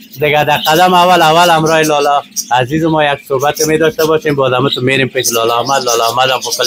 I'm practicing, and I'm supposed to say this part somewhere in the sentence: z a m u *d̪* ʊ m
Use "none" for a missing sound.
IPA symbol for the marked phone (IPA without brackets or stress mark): t̪